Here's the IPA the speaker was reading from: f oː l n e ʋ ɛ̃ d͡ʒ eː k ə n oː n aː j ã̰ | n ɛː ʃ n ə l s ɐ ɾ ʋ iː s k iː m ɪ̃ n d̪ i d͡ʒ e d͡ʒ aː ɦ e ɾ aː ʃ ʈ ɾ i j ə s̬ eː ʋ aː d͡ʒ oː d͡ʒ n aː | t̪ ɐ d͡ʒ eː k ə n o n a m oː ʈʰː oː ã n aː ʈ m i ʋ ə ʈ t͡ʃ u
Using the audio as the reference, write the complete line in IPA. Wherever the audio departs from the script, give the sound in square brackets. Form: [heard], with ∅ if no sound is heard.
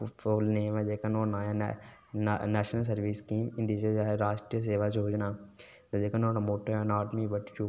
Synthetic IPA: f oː l n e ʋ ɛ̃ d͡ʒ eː k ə n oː n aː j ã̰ | n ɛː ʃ n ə l s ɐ ɾ ʋ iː s k iː m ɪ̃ n d̪ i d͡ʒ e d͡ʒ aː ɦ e ɾ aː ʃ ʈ ɾ i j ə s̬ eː ʋ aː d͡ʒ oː d͡ʒ n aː | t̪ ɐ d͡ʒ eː k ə n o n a m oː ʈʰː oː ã n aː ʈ m i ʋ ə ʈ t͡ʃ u

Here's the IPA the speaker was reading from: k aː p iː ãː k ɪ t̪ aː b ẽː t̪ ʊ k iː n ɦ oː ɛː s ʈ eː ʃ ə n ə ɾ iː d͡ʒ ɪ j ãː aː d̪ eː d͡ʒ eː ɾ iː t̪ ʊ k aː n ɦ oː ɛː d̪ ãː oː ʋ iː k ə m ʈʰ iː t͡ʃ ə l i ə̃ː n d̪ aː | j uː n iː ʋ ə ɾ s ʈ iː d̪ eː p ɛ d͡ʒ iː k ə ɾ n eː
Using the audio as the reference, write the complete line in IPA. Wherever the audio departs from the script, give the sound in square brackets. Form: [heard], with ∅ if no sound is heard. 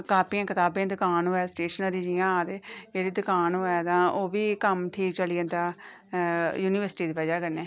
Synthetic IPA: k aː p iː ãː k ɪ t̪ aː b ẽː [d̪] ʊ k [aː] n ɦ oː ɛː s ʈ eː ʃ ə n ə ɾ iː d͡ʒ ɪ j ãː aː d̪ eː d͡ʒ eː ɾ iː [d̪] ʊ k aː n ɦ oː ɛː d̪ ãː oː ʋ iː k ə m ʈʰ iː t͡ʃ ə l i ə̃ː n d̪ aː | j uː n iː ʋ ə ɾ s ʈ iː d̪ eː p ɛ d͡ʒ [aː] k ə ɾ n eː

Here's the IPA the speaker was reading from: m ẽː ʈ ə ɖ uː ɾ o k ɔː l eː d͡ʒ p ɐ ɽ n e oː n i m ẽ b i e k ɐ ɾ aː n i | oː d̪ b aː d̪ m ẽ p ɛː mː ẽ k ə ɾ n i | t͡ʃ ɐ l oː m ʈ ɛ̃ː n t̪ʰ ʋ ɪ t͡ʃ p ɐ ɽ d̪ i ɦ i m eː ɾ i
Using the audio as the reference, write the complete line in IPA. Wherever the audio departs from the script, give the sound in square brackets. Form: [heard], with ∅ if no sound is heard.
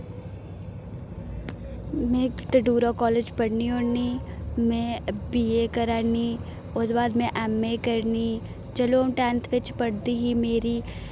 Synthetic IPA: m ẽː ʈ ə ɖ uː ɾ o k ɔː l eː d͡ʒ p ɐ ɽ n [i] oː n i m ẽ b i e k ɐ ɾ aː n i | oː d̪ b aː d̪ m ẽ [ʔ] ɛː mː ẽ k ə ɾ n i | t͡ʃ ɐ l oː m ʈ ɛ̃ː n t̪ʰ ʋ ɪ t͡ʃ p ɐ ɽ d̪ i ɦ i m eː ɾ i

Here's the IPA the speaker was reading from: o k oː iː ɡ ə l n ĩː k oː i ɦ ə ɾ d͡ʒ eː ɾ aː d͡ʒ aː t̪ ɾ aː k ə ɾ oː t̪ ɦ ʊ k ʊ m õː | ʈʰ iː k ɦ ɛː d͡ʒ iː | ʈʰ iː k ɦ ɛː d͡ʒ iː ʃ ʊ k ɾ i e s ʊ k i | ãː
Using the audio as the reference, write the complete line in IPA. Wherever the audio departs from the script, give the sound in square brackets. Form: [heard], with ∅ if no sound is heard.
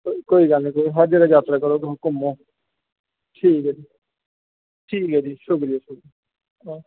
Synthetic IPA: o k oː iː ɡ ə l n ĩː k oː i ɦ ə ɾ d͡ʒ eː ɾ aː d͡ʒ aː t̪ ɾ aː k ə ɾ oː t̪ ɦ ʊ k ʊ m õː | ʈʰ iː k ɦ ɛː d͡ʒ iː | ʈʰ iː k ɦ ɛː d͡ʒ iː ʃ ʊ k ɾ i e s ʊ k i | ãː

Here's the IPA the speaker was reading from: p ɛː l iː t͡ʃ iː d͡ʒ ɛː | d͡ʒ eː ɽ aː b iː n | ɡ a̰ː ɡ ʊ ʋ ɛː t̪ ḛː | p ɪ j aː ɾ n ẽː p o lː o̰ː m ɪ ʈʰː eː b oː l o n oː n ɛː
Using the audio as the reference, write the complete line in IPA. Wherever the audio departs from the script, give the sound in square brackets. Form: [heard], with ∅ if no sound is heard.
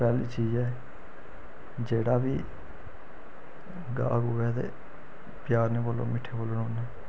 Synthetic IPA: p ɛː l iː t͡ʃ iː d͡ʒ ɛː | d͡ʒ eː ɽ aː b iː [∅] | ɡ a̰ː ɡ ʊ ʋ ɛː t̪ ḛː | p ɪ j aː ɾ n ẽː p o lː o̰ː m ɪ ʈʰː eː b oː l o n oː n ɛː

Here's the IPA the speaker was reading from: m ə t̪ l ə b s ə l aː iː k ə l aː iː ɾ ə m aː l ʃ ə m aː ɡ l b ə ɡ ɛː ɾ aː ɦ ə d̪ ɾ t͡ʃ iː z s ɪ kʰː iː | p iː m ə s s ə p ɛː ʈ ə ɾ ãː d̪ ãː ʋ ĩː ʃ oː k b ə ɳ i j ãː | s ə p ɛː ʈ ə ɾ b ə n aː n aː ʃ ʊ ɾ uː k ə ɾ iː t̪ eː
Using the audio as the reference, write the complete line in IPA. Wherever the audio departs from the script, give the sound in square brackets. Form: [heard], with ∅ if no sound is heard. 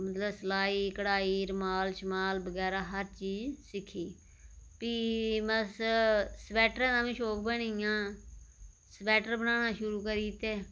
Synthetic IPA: m ə t̪ l ə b s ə l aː iː k ə [ɽ] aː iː ɾ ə m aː l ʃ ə m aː [∅] l b ə ɡ ɛː ɾ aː ɦ ə [∅] ɾ t͡ʃ iː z s ɪ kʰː iː | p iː m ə s s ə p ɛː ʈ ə ɾ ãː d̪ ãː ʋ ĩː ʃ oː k b ə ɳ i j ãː | s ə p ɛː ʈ ə ɾ b ə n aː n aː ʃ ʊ ɾ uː k ə ɾ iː t̪ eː

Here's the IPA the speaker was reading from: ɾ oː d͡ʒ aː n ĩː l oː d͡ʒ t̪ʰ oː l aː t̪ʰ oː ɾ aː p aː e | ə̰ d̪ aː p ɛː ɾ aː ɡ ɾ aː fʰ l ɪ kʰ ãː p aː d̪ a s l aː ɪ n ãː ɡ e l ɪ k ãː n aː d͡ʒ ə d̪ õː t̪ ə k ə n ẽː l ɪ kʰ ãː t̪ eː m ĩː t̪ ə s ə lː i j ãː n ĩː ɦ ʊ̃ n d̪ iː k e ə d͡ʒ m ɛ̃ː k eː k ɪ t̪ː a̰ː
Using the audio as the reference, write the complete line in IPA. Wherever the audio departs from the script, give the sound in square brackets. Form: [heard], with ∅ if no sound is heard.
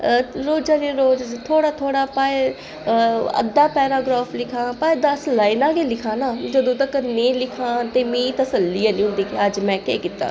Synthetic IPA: ɾ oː d͡ʒ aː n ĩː [ɾ] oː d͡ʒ t̪ʰ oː [ɽ] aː t̪ʰ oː [ɽ] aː p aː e | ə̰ d̪ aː p ɛː ɾ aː ɡ ɾ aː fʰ l ɪ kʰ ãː p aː d̪ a s l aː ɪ n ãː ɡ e l ɪ [kʰ] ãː n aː d͡ʒ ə d̪ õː t̪ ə k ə n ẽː l ɪ kʰ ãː t̪ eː m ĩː t̪ ə s ə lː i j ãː n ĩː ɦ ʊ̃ n d̪ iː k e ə d͡ʒ m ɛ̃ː k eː k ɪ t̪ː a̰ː

